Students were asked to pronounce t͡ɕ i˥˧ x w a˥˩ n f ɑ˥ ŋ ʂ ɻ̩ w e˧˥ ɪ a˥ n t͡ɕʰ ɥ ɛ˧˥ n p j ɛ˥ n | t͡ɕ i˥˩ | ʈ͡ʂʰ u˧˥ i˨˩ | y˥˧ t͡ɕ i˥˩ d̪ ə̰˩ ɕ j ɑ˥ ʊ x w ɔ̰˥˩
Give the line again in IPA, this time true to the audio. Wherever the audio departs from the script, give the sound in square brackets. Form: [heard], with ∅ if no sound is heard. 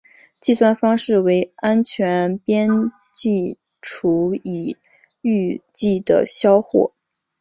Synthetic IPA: t͡ɕ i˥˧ [s] w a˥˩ n f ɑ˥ ŋ ʂ ɻ̩ w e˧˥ ɪ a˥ n t͡ɕʰ ɥ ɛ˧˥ n p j ɛ˥ n | t͡ɕ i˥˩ | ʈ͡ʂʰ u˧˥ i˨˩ | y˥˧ t͡ɕ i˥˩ d̪ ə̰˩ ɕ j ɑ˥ ʊ x w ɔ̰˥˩